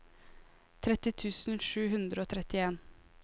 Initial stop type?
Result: aspirated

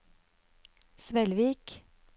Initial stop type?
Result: plain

